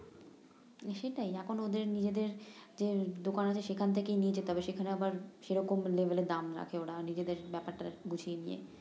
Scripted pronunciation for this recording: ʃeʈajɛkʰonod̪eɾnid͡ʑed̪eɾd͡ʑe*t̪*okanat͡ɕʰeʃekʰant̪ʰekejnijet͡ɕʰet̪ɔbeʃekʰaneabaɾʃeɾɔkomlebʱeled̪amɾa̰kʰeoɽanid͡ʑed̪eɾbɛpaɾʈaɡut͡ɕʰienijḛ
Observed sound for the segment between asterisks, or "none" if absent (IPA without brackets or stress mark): d̪